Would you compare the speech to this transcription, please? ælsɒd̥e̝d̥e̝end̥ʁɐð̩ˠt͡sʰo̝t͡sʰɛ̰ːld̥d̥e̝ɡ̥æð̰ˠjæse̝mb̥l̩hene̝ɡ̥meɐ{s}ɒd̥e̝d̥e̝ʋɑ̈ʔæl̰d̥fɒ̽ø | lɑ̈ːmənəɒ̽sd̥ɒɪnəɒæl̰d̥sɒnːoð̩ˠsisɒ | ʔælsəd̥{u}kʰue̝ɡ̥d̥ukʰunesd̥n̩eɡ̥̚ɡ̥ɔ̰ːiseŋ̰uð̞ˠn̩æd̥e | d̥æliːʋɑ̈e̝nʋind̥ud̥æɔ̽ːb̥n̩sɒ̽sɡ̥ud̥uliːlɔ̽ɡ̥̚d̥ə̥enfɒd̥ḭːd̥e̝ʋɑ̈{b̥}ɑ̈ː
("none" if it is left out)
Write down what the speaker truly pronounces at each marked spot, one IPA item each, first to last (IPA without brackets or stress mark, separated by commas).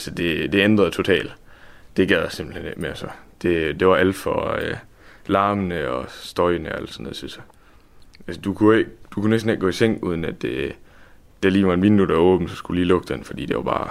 s, u, b̥